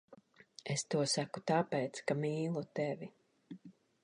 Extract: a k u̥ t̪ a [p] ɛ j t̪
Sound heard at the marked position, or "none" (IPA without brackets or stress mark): p